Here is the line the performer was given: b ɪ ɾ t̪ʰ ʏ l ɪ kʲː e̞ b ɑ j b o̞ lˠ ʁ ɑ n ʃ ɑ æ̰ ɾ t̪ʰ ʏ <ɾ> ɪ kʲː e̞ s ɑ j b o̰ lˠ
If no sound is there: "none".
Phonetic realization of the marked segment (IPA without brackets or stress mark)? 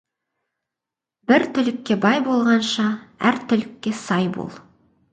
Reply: l